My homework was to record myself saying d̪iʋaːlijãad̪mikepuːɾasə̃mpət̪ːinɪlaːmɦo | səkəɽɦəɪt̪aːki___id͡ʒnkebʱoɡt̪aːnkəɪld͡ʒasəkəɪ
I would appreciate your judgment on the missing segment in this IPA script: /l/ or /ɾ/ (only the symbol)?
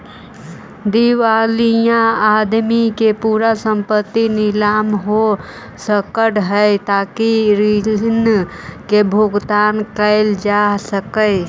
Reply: ɾ